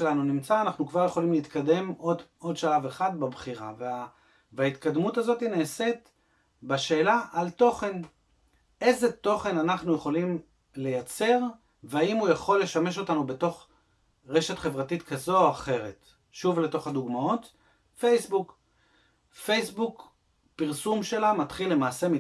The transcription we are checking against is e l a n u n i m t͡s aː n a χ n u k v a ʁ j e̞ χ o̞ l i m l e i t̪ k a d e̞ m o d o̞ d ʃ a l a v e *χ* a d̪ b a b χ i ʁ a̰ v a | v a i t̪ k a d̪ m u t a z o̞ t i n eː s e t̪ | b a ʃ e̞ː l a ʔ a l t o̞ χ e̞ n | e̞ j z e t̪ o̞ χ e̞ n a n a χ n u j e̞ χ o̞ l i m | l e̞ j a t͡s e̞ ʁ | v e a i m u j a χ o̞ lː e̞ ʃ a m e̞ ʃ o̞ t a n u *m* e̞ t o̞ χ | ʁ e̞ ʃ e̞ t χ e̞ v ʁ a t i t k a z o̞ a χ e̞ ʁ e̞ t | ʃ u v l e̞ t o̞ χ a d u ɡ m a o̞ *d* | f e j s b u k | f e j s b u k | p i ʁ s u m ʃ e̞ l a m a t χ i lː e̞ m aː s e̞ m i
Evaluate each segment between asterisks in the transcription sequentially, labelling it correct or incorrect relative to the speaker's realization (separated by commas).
correct, incorrect, incorrect